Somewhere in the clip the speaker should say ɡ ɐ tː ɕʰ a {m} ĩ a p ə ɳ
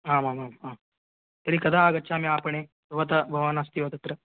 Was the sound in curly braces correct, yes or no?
yes